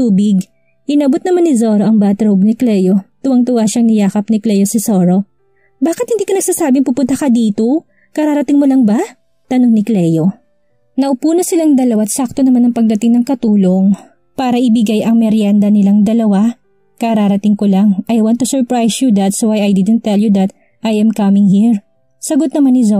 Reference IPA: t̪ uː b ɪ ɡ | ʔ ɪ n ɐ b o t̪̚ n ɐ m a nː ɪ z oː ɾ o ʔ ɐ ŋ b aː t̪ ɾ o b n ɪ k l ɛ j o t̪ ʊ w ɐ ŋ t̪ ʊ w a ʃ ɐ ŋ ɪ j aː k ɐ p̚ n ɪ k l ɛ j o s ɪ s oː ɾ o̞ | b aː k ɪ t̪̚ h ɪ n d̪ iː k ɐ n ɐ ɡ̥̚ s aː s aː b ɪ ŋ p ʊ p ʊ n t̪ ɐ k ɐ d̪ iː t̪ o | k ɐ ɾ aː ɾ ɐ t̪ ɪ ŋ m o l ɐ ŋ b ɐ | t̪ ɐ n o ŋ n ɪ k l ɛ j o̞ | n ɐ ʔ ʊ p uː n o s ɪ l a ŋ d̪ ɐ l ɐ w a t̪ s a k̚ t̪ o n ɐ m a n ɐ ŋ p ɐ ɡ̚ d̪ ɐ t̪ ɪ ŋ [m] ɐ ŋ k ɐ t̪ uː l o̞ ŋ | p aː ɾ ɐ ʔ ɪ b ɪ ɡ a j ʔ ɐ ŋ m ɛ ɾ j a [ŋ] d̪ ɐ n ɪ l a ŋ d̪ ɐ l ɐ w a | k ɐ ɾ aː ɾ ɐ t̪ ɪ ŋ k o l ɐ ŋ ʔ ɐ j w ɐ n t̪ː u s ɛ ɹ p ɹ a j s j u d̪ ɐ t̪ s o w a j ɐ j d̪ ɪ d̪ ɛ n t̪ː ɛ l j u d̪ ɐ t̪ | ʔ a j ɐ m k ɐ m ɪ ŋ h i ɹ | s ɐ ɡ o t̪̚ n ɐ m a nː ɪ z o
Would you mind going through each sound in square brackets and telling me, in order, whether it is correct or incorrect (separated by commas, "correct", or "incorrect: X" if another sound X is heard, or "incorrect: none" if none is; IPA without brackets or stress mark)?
incorrect: n, incorrect: n